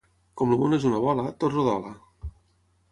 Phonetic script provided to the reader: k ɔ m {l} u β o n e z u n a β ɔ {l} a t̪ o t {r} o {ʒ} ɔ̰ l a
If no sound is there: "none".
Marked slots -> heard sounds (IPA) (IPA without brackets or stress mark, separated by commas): l, l, r, ð